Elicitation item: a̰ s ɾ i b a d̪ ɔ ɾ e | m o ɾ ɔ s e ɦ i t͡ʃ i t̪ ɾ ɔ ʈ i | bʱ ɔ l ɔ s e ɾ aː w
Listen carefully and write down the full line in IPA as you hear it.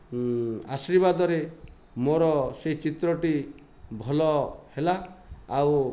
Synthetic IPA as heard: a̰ s ɾ i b a d̪ ɔ ɾ e | m o ɾ ɔ s e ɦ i t͡ʃ i t̪ ɾ ɔ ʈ i | bʱ ɔ l ɔ h e l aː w